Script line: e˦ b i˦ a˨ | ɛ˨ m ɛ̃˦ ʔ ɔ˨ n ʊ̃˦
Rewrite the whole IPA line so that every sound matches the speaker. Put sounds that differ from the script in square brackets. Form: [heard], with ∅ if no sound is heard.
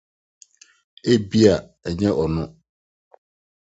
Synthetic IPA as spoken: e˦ b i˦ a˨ | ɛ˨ [ɲ] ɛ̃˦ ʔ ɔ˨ n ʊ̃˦